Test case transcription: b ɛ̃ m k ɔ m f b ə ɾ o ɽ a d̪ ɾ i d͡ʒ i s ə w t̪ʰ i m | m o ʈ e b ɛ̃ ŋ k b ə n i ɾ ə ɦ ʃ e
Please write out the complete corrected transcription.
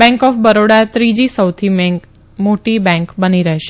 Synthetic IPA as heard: b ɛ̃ ŋ k ɔ f b ə ɾ o ɽ a t̪ ɾ i d͡ʒ i s ə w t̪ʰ i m | m o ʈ i b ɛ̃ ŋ k b ə n i ɾ ə ɦ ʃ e